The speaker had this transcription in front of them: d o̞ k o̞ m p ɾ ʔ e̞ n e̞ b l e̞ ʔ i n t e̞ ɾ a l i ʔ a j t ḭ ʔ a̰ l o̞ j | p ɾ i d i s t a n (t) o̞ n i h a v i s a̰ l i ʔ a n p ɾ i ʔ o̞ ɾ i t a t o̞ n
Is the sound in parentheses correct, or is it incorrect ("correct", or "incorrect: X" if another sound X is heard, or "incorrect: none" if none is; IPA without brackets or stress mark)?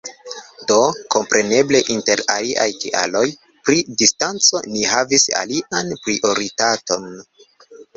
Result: incorrect: t͡s